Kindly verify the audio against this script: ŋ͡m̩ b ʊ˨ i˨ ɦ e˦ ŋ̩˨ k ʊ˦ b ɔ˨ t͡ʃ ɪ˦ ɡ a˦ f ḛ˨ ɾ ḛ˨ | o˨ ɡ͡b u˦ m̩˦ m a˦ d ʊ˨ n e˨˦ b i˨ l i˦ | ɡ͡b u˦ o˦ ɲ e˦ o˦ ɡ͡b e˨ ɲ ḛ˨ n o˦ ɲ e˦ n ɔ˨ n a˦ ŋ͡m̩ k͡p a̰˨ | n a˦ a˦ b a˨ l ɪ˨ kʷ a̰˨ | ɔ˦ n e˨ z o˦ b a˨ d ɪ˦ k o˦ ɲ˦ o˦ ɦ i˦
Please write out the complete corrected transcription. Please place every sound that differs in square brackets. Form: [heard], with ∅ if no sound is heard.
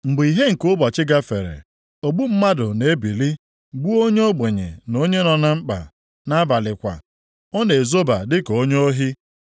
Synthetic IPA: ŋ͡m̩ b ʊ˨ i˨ ɦ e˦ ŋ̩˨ k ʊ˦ b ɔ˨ t͡ʃ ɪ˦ ɡ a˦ f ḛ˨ ɾ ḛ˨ | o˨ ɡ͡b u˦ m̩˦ m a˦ d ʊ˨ n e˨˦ b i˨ l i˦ | ɡ͡b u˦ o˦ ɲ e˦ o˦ ɡ͡b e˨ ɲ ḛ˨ n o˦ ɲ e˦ n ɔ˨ n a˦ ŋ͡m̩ k͡p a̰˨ | n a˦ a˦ b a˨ l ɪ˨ kʷ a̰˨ | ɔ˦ n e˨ z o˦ b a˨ d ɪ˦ k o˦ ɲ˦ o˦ ɦ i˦